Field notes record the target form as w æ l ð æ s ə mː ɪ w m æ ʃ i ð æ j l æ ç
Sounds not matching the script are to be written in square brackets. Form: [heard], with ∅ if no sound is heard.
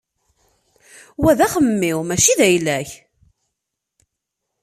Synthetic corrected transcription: w æ [∅] ð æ [χ] ə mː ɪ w m æ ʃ i ð æ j l æ ç